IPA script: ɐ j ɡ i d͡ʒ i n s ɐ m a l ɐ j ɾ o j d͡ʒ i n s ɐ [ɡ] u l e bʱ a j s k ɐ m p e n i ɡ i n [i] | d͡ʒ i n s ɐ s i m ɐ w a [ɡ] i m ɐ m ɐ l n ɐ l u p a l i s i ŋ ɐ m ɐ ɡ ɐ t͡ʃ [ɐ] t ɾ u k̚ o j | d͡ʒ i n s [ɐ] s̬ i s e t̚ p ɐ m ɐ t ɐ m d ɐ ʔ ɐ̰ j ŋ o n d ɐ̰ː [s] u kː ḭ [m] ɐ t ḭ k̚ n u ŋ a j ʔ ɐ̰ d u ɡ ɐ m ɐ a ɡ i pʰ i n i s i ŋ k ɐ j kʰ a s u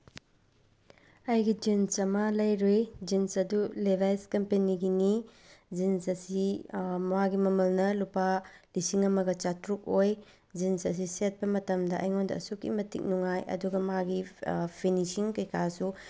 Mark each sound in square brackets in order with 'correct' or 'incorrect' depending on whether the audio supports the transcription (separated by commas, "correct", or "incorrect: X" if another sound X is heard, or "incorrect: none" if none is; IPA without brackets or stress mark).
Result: incorrect: d, correct, correct, incorrect: a, correct, correct, correct